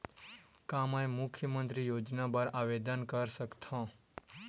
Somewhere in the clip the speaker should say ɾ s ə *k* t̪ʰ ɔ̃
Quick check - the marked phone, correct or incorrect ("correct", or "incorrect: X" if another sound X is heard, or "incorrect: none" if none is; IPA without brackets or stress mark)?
correct